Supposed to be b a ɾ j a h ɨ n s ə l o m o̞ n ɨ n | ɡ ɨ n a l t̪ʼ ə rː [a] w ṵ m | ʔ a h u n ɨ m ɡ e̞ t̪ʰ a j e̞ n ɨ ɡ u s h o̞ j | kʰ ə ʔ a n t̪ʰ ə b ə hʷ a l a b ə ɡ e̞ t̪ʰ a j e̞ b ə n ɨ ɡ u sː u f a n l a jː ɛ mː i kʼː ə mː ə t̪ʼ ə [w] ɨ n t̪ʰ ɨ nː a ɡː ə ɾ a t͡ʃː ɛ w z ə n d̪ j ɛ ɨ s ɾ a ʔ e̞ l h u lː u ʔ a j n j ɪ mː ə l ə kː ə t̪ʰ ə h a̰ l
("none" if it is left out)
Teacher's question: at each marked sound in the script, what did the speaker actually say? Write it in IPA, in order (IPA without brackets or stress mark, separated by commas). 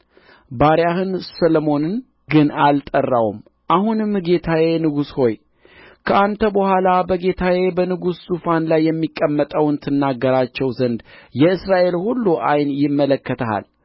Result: a, w